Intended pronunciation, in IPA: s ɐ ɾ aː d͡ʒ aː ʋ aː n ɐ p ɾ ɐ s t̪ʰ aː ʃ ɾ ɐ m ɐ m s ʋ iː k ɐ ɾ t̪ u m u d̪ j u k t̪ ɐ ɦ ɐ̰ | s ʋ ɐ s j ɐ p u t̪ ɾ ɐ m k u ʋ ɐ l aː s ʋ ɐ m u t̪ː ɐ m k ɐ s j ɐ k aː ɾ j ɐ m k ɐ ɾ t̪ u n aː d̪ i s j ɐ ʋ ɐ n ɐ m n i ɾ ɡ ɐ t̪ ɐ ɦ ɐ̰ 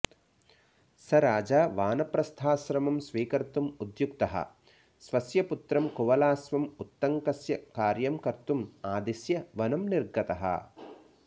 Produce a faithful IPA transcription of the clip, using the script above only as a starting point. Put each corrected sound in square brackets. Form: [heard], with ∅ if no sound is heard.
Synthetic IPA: s ɐ ɾ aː d͡ʒ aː ʋ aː n ɐ p ɾ ɐ s t̪ʰ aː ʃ ɾ ɐ m ɐ m s ʋ iː k ɐ ɾ t̪ u m u d̪ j u k t̪ ɐ ɦ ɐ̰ | s ʋ ɐ s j ɐ p u t̪ ɾ ɐ m k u ʋ ɐ l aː s ʋ ɐ m u t̪ː ɐ [ŋ] k ɐ s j ɐ k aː ɾ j ɐ m k ɐ ɾ t̪ u [m] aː d̪ i s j ɐ ʋ ɐ n ɐ m n i ɾ ɡ ɐ t̪ ɐ ɦ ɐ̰